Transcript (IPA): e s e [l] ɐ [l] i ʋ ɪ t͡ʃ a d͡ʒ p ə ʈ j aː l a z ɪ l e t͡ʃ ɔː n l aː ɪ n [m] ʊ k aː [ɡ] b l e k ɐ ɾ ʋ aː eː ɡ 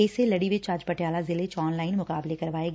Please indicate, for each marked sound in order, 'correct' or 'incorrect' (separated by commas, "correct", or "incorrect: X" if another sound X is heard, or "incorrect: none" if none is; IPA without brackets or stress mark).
correct, incorrect: ɽ, correct, incorrect: none